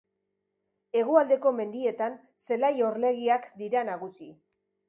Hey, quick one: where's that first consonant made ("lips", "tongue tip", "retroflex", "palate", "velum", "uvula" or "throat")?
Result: velum